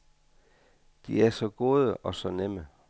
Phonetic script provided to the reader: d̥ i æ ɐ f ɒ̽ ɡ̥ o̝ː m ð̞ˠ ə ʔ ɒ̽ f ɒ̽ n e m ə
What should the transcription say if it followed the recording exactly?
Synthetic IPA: d̥ i æ ɐ s ɒ̽ ɡ̥ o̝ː ð̞ˠ ə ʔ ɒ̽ s ɒ̽ n e m ə

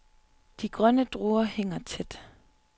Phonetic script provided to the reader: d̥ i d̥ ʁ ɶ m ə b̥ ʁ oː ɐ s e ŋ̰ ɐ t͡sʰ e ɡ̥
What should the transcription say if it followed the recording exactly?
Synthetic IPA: d̥ i ɡ̥ ʁ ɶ n ə d̥ ʁ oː ɐ h e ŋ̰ ɐ t͡sʰ e d̥

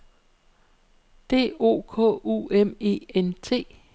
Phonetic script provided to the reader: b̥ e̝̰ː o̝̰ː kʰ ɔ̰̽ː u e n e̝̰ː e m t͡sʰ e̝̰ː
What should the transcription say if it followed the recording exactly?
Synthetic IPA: d̥ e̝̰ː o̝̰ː kʰ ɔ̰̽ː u e m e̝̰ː e n t͡sʰ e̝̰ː

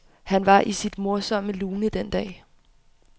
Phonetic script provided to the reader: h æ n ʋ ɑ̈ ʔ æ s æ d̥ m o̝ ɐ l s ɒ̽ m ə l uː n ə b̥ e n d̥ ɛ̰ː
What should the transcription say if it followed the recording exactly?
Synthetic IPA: h æ n ʋ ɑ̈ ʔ i s i d̥ m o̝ ɐ s ɒ̽ m ə l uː n ə d̥ e n d̥ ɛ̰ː

